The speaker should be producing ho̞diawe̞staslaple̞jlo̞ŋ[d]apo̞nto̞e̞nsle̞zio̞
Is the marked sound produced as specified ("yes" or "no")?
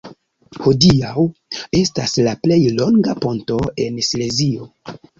no